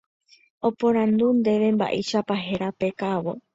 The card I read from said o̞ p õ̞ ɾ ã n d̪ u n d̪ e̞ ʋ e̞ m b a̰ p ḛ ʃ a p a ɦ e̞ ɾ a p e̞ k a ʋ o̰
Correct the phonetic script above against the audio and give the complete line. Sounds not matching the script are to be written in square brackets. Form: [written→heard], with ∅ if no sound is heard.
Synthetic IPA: o̞ p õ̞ ɾ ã n d̪ u n d̪ e̞ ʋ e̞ m b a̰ [p→ʔ] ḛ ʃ a p a ɦ e̞ ɾ a p e̞ k a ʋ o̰